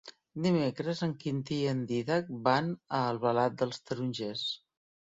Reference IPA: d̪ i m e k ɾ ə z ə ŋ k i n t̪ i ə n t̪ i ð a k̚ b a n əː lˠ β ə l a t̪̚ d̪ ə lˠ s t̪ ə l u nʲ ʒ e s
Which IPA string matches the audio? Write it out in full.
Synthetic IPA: d̪ i m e k ɾ ə z ə ŋ k i n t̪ i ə n d̪ i ð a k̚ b a n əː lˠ β ə l a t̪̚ d̪ ə lˠ s t̪ ə ɾ u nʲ ʒ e s